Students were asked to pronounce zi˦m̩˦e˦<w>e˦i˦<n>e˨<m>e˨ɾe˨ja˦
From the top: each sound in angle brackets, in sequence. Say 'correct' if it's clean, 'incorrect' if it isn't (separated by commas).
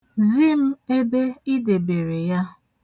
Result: incorrect, incorrect, incorrect